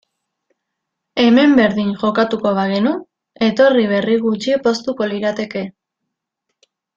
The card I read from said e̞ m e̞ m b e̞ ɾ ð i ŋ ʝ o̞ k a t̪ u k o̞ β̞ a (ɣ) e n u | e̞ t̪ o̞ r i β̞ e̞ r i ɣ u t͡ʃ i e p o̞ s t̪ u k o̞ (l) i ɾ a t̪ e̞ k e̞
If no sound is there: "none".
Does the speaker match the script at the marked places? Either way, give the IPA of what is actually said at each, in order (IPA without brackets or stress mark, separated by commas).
ɣ, l